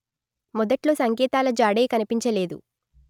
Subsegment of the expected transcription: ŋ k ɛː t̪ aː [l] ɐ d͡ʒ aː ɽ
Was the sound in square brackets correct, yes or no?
yes